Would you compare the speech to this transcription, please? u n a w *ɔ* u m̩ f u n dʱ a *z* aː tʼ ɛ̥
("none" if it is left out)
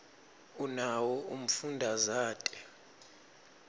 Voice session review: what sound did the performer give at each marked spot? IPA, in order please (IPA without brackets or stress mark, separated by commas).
ɔ, z